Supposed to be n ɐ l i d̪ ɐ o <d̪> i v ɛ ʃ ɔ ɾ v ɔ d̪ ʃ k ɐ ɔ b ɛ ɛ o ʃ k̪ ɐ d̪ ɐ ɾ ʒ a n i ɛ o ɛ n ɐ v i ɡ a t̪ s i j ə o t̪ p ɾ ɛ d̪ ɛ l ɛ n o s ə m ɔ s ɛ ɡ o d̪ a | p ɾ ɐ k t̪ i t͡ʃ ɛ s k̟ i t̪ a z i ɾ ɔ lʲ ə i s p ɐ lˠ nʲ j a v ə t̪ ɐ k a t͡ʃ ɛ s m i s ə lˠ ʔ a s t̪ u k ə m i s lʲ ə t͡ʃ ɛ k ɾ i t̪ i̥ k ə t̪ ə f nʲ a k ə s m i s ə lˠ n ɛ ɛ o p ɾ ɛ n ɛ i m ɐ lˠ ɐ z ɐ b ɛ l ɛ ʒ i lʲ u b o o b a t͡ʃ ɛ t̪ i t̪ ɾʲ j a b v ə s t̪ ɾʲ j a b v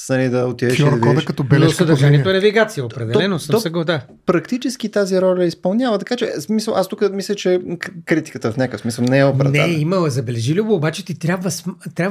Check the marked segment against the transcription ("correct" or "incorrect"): incorrect